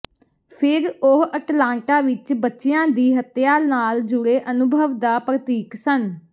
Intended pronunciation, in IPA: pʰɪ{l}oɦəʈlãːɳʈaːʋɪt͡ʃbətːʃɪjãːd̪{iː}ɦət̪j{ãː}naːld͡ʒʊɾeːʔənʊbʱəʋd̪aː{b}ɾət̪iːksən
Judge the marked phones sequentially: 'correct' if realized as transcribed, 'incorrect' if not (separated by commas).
incorrect, correct, incorrect, incorrect